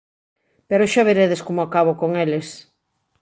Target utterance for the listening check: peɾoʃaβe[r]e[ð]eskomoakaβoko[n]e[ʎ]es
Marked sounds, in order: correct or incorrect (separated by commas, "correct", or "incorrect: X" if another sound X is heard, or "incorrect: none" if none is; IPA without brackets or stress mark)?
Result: incorrect: ɾ, correct, incorrect: ŋ, incorrect: l